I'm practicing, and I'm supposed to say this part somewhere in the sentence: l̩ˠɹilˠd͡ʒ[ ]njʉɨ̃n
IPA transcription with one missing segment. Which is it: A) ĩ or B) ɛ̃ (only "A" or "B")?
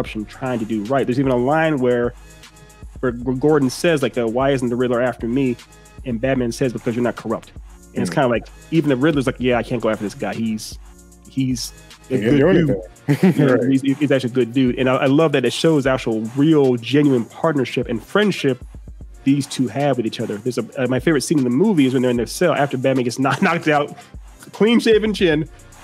B